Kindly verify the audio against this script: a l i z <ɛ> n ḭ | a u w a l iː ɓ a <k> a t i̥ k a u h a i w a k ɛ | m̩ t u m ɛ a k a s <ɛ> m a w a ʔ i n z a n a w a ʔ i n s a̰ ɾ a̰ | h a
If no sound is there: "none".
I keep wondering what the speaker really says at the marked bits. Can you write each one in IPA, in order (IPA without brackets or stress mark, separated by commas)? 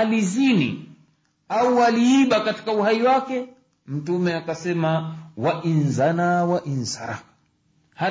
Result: i, k, ɛ